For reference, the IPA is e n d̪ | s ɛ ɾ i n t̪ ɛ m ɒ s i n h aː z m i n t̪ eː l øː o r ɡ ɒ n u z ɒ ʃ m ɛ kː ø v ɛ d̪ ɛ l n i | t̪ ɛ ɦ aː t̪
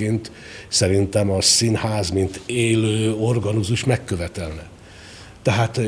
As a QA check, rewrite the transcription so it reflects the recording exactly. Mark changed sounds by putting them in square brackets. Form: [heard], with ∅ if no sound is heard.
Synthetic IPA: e n [t̪] | s ɛ ɾ i n t̪ ɛ m ɒ s i n h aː z m i n t̪ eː l øː o r ɡ ɒ n u z [u] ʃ m ɛ kː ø v ɛ [t̪] ɛ l n [ɛ] | t̪ ɛ ɦ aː t̪